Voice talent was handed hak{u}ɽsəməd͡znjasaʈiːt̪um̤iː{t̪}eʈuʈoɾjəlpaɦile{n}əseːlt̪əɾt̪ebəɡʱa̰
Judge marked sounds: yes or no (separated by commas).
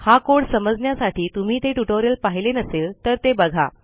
no, yes, yes